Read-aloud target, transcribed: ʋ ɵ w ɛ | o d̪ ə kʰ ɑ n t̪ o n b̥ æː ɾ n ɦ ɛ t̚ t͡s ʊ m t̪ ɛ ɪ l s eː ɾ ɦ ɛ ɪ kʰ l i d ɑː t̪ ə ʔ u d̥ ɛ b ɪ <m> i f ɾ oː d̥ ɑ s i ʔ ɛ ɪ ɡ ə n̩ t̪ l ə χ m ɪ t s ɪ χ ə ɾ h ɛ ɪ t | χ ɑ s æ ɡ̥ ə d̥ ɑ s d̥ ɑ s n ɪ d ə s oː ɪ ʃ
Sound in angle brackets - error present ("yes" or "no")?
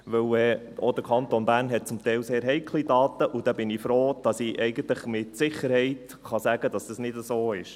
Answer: yes